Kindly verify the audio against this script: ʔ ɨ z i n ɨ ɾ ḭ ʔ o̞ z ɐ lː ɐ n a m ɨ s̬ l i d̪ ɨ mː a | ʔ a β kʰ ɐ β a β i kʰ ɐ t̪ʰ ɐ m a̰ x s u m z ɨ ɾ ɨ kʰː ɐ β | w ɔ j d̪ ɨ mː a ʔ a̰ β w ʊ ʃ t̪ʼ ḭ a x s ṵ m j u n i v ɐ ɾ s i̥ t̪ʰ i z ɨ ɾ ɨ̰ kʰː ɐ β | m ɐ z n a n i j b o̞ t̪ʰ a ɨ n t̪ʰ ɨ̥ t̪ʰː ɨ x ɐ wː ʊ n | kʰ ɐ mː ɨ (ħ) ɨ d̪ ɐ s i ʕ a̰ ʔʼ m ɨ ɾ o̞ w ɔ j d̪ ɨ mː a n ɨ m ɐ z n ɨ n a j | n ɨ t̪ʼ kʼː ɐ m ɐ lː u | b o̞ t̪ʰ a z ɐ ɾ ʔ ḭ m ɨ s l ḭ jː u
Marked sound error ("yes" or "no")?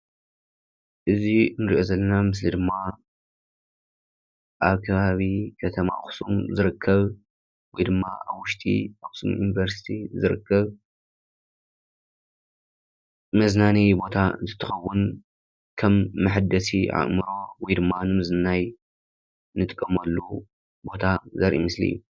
no